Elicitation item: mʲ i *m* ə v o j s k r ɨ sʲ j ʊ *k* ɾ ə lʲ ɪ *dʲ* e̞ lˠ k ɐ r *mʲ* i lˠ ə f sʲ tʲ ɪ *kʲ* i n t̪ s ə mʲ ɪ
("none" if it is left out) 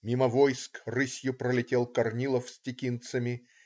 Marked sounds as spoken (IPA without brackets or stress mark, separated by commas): m, p, tʲ, nʲ, kʲ